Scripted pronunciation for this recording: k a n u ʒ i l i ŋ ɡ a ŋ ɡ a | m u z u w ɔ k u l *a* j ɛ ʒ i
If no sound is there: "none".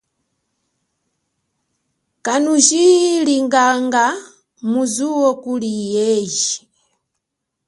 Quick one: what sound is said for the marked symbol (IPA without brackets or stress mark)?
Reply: i